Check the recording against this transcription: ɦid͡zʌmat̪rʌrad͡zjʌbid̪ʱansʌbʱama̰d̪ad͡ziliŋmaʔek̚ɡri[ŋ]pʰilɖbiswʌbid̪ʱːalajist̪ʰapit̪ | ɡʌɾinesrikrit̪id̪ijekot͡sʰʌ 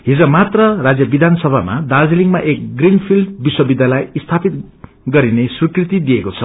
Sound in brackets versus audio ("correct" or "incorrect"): incorrect